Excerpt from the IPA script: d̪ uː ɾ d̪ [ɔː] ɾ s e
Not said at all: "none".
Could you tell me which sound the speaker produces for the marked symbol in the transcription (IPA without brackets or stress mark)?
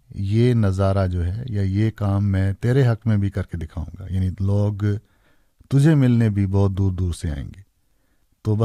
uː